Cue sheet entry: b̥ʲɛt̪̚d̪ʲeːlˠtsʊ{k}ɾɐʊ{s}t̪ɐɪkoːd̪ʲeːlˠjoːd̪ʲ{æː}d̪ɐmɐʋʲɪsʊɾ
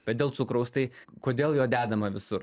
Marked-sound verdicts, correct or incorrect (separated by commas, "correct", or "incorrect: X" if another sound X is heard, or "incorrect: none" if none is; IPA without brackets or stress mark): correct, correct, correct